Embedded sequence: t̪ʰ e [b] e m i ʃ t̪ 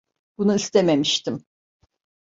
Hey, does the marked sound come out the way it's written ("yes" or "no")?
no